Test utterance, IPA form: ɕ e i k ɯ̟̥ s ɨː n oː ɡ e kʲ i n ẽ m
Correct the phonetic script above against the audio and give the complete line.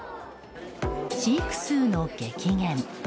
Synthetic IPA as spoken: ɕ i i k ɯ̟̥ s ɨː n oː k e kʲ i ŋ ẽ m